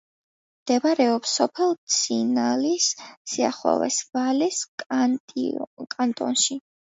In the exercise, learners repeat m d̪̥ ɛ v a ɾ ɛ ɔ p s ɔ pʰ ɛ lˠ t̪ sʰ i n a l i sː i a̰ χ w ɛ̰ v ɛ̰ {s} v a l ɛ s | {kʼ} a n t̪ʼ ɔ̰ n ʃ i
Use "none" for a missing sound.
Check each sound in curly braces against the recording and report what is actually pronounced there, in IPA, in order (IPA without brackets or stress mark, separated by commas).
s, kʼ